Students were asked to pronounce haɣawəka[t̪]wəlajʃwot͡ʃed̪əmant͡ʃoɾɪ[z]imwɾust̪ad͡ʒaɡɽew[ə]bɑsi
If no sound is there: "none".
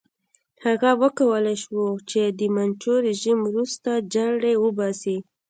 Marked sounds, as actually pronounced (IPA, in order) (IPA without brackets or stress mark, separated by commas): none, ʒ, ə